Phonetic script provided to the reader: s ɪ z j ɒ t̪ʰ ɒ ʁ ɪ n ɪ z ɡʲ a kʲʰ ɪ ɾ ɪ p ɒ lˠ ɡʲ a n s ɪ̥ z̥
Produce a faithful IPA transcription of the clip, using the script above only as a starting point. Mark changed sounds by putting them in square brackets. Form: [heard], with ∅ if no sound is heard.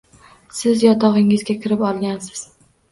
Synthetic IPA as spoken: s ɪ z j ɒ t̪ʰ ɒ ʁ ɪ [ŋ] ɪ z ɡʲ a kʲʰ ɪ ɾ ɪ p ɒ lˠ ɡʲ a n s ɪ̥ z̥